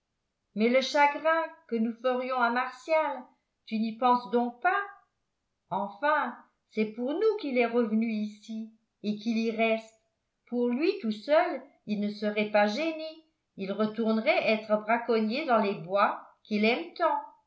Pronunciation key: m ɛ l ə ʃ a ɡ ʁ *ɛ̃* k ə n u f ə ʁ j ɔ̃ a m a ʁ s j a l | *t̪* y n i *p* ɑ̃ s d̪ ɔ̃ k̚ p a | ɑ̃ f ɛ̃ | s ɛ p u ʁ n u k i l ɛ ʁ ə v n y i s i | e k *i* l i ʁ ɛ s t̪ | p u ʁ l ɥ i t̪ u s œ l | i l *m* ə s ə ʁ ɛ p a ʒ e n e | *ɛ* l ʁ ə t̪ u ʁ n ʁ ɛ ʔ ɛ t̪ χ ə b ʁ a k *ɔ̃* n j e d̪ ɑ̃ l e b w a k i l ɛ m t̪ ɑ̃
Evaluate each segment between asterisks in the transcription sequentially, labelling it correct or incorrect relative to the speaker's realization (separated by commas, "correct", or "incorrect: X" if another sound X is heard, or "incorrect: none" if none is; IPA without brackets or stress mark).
correct, correct, correct, correct, incorrect: n, incorrect: i, incorrect: ɔ